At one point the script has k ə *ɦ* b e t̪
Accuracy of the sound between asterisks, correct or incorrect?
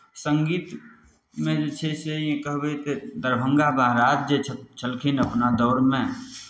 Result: correct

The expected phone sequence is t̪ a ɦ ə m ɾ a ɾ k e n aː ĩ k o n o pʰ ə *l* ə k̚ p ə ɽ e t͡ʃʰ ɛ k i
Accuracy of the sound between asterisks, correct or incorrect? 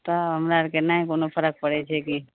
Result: incorrect: ɾ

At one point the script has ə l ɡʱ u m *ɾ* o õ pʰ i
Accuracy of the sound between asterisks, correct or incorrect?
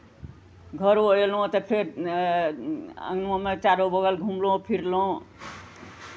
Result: incorrect: l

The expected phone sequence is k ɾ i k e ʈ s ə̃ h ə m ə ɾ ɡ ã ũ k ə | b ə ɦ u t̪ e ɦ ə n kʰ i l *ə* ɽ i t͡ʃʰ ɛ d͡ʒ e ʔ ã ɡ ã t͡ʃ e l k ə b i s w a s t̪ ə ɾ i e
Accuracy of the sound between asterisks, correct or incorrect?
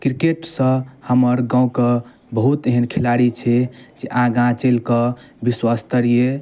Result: incorrect: a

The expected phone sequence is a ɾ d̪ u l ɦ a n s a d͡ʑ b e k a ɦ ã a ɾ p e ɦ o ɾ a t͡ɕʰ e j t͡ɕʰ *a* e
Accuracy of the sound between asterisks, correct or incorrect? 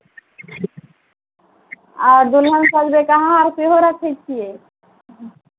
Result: incorrect: i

